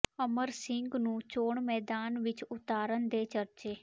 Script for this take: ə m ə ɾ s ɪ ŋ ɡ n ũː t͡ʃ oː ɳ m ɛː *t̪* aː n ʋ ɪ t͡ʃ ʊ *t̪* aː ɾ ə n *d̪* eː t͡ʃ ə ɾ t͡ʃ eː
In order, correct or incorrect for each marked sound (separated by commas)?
incorrect, correct, correct